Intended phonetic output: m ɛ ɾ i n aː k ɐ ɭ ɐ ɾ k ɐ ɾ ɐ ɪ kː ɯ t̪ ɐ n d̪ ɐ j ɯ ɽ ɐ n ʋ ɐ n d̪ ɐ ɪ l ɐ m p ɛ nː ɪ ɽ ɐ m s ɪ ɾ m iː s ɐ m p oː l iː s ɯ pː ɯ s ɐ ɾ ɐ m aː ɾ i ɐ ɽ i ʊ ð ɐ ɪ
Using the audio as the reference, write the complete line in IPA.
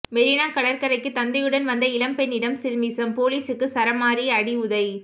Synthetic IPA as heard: m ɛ ɾ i n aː k ɐ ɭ ɐ ɾ k ɐ ɾ ɐ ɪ kː ɯ t̪ ɐ n d̪ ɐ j ɯ ɽ ɐ n ʋ ɐ n d̪ ɐ ɪ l ɐ m p ɛ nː ɪ ɽ ɐ m s ɪ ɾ m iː s ɐ m p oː l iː s ɯ kː ɯ s ɐ ɾ ɐ m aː ɾ i ɐ ɽ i ʊ ð ɐ ɪ